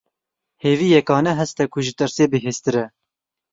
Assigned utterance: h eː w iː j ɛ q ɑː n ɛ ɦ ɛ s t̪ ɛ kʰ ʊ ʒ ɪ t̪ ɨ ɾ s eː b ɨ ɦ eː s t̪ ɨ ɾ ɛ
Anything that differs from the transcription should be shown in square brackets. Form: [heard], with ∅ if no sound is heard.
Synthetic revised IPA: h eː [v] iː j ɛ [k] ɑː n ɛ ɦ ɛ s t̪ ɛ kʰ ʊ ʒ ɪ t̪ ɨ ɾ s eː b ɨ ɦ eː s t̪ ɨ ɾ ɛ